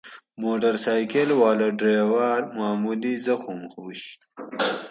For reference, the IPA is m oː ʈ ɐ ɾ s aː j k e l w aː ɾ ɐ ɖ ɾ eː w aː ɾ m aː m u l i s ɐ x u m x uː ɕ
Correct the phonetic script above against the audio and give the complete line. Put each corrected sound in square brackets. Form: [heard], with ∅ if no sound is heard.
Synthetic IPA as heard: m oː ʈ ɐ ɾ s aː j k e l w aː [l] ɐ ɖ ɾ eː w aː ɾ m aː m u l i [z] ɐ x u m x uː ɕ